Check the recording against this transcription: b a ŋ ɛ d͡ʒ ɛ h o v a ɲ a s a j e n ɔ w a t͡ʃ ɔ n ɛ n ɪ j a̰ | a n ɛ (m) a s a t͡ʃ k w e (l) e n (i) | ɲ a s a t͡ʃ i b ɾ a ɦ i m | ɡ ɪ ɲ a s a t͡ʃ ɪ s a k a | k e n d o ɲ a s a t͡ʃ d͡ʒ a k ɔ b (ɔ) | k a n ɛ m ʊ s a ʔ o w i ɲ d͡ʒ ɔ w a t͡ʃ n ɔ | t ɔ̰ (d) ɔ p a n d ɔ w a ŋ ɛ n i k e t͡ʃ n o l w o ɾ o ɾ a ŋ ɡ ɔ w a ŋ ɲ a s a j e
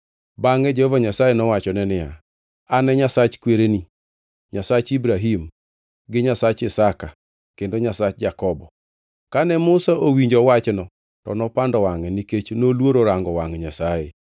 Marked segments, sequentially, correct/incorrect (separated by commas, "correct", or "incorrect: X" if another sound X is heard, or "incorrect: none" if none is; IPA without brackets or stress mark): incorrect: ɲ, incorrect: ɾ, correct, correct, incorrect: n